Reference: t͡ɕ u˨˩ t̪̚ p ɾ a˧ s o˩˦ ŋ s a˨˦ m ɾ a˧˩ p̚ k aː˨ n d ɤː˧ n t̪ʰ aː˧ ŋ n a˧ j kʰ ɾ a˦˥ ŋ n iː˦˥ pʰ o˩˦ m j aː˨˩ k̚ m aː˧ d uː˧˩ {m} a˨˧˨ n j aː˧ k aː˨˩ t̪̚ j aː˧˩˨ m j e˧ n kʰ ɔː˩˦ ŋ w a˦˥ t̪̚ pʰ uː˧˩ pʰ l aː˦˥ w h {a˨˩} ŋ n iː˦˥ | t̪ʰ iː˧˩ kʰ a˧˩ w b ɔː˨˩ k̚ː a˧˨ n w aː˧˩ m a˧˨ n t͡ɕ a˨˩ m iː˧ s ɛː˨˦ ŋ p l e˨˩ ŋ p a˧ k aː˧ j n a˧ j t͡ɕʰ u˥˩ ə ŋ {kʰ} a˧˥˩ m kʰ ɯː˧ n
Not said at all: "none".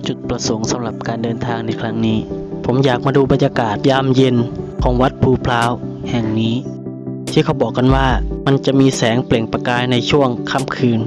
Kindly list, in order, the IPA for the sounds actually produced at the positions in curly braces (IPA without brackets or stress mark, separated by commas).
b, ɛ˨˩, kʰ